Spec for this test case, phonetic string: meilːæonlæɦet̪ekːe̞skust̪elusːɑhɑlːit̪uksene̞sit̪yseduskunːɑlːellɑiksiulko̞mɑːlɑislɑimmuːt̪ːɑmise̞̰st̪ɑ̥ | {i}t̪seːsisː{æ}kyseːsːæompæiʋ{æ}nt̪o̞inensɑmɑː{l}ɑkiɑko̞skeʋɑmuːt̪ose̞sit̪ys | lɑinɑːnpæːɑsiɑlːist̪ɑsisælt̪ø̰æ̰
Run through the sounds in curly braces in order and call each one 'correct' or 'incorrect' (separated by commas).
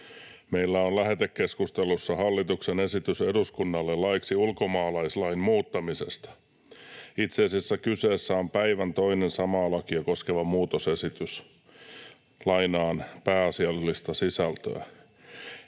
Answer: correct, correct, correct, correct